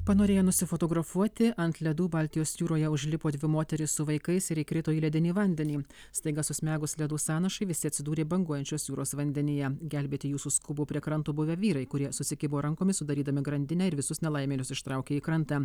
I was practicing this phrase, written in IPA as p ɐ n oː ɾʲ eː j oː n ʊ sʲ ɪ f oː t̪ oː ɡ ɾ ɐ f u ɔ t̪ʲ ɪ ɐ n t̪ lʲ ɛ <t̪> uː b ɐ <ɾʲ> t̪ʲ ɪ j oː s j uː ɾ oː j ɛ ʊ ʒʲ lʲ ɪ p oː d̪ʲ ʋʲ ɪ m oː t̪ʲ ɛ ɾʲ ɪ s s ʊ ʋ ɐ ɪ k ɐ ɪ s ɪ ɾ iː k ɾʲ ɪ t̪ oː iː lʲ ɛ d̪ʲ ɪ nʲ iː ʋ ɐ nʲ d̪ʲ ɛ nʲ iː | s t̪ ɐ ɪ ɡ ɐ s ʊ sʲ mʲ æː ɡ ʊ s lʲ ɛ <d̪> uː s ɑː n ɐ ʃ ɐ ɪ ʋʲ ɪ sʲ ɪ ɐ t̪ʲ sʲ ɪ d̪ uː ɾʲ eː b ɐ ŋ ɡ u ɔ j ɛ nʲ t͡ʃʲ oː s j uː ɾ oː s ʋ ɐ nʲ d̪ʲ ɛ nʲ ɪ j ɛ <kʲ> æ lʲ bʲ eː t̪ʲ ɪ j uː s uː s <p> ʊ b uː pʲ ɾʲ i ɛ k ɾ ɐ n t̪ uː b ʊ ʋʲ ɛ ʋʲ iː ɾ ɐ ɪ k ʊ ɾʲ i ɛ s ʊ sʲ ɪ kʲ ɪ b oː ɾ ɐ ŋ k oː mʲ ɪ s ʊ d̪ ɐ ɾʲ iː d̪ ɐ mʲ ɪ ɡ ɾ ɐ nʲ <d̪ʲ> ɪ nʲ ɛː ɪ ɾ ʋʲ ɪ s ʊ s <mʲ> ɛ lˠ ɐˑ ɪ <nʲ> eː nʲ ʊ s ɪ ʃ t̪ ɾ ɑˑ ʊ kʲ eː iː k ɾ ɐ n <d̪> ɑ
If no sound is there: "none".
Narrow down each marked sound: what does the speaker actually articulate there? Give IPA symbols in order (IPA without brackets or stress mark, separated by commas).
d̪, lʲ, d̪, ɡʲ, k, d̪ʲ, nʲ, mʲ, t̪